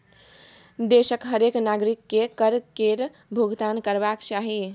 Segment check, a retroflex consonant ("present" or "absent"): absent